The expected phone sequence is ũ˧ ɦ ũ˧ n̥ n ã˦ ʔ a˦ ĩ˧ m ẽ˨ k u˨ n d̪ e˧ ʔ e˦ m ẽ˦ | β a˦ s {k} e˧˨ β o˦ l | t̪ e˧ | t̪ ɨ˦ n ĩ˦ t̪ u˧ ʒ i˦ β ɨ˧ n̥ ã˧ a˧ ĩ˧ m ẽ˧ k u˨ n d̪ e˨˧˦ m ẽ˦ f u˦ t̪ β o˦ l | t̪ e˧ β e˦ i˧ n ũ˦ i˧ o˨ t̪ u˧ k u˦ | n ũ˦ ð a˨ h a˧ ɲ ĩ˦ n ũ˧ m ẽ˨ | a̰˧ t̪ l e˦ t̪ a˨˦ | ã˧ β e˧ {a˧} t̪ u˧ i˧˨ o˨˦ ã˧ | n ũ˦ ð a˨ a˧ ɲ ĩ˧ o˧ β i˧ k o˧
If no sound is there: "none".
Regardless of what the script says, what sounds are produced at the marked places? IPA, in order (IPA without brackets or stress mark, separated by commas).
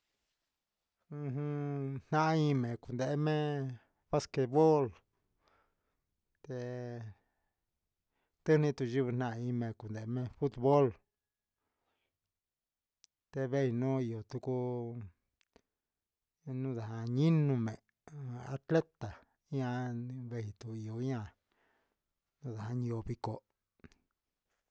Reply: k, i˧